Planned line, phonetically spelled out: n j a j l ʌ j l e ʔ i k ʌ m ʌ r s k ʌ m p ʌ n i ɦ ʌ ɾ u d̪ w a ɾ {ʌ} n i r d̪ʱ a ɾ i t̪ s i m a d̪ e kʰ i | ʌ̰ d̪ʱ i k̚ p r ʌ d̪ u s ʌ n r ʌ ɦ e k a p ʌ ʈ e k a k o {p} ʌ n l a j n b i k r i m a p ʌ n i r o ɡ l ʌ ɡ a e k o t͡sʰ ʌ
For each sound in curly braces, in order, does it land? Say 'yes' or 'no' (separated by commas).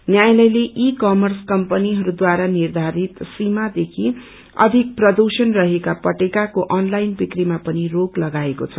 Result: no, no